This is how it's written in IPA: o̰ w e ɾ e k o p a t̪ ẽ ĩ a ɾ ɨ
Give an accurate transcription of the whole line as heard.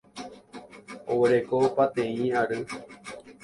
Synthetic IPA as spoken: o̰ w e ɾ e k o p a t̪ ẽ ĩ a ɾ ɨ